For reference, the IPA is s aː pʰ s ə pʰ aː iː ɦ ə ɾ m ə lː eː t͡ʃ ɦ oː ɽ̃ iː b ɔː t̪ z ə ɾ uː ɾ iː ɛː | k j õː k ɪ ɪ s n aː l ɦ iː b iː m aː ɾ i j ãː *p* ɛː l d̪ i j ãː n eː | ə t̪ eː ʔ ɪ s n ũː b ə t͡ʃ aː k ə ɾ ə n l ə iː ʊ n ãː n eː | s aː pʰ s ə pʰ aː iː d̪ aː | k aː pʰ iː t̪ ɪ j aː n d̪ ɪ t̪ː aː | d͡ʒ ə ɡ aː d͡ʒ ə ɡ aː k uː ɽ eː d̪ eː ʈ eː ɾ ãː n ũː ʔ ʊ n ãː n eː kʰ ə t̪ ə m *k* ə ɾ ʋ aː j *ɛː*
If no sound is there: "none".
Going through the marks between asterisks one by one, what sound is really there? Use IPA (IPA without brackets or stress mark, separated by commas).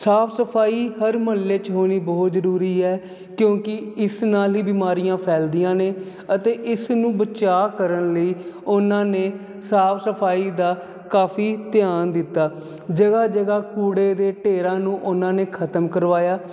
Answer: pʰ, k, aː